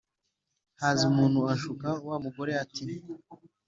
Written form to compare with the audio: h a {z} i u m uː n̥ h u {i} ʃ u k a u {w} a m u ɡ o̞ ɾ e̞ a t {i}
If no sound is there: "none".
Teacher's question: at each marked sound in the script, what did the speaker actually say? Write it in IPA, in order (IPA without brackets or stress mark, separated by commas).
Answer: z, a, w, i